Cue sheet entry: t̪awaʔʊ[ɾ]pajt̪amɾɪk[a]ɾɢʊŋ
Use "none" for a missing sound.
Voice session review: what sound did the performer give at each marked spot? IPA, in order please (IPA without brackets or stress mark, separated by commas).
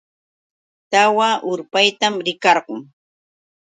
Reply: ɾ, ɑ